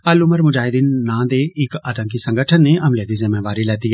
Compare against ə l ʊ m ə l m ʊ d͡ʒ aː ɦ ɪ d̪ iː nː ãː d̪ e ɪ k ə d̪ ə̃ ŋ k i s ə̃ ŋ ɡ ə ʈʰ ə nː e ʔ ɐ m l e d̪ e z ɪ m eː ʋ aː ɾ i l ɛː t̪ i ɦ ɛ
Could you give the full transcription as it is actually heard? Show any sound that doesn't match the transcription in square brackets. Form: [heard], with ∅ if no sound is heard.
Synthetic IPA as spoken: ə l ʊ m ə [ɾ] m ʊ d͡ʒ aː ɦ ɪ d̪ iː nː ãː d̪ e ɪ k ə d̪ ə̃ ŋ k i s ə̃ ŋ ɡ ə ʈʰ ə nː e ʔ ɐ m l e d̪ [i] z ɪ m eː ʋ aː ɾ i l ɛː t̪ i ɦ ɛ